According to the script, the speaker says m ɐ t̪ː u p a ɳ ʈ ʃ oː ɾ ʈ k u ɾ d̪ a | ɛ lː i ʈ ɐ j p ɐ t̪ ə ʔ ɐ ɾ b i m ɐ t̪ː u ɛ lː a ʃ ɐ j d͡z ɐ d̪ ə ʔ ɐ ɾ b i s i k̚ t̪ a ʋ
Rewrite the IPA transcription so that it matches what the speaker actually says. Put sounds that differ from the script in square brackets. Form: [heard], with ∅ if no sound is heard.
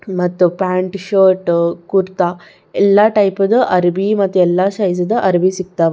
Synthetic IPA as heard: m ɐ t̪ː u p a ɳ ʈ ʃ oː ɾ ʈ k u ɾ [t̪] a | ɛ lː [a] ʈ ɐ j p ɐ [d̪] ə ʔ ɐ ɾ b i m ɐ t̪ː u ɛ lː a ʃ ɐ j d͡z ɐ d̪ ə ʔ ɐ ɾ b i s i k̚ t̪ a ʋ